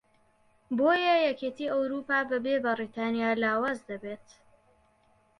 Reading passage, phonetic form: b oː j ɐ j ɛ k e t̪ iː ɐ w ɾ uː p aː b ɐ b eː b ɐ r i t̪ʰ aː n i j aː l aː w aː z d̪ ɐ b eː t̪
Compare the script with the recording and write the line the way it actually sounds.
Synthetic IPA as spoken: b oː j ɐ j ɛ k e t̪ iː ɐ w ɾ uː p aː b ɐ b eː b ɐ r i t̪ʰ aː n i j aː l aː w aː z d̪ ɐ b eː t̪

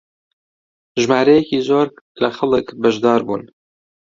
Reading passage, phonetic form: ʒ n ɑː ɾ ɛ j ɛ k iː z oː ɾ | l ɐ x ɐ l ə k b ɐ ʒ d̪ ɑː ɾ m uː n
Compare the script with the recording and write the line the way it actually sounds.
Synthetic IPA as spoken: ʒ m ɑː ɾ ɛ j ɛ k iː z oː ɾ | l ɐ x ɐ l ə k b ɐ ʒ d̪ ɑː ɾ b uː n

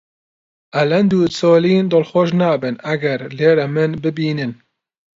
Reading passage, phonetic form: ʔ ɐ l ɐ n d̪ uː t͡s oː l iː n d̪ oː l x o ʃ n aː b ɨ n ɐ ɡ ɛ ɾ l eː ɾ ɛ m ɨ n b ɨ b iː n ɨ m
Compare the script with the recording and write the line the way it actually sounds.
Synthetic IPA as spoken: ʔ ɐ l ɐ n d̪ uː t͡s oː l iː n d̪ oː l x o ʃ n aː b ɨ n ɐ ɡ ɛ ɾ l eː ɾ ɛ m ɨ n b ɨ b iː n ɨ n

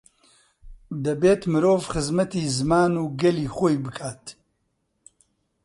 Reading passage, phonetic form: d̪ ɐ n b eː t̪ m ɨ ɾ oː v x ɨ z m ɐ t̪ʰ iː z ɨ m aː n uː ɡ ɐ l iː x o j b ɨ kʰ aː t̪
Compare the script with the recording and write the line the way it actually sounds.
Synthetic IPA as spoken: d̪ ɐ b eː t̪ m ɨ ɾ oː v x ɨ z m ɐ t̪ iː z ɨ m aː n uː ɡ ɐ l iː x o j b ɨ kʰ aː t̪

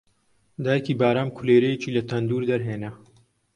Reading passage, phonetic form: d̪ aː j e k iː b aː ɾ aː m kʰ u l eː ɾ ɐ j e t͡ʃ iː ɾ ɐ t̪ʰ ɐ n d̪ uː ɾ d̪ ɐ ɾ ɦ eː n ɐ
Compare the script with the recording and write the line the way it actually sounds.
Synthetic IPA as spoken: d̪ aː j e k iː b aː ɾ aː m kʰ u l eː ɾ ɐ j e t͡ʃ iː l ɐ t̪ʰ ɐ n d̪ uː ɾ d̪ ɐ ɾ ɦ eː n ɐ

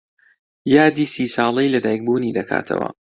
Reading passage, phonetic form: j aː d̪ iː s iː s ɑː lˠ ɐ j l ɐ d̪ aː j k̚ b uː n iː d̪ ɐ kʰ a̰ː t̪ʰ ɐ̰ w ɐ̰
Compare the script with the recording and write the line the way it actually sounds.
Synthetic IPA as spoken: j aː d̪ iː s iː s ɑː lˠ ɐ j l ɐ d̪ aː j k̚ b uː n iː d̪ ɐ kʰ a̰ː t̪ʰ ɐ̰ w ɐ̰

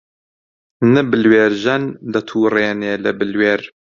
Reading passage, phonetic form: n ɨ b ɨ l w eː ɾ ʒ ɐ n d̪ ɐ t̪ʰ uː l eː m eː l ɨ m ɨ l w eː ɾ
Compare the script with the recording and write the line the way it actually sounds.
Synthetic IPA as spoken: n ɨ b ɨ l w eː ɾ ʒ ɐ n d̪ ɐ t̪ʰ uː r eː n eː l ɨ b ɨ l w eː ɾ

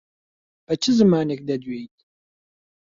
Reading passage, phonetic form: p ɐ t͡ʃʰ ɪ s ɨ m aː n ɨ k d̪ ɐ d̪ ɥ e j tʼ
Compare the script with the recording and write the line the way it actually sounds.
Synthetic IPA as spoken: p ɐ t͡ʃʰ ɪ z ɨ m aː n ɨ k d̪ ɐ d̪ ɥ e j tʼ

